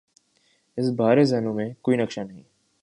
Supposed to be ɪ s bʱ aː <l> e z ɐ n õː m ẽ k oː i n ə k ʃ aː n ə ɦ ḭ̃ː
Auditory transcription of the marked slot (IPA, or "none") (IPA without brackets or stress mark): ɾ